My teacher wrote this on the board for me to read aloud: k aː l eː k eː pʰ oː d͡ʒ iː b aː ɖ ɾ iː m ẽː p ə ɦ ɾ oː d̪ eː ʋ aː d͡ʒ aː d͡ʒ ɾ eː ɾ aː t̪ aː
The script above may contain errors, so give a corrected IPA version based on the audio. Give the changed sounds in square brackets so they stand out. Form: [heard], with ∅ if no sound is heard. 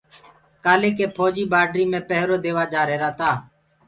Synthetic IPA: k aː l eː k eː pʰ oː d͡ʒ iː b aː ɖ ɾ iː m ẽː p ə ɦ ɾ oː d̪ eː ʋ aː d͡ʒ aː [∅] ɾ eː ɾ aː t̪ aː